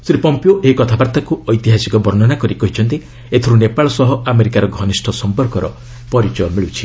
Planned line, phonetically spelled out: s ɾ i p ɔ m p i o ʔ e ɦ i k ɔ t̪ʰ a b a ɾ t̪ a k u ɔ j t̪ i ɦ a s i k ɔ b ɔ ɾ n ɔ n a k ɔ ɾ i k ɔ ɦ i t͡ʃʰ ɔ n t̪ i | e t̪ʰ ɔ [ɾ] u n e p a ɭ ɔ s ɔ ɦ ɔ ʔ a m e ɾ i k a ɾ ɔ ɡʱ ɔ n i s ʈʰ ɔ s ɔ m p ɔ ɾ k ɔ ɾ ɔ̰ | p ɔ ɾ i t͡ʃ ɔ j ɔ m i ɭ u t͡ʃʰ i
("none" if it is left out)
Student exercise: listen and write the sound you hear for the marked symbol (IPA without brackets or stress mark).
ɾ